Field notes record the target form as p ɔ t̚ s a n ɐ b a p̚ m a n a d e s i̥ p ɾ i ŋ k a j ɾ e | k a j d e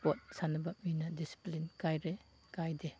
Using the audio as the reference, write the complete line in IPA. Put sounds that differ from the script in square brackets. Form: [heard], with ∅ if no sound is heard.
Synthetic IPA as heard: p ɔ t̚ s a n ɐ b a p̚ m [i] n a d [i] s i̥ p [l] i [n] k a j ɾ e | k a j d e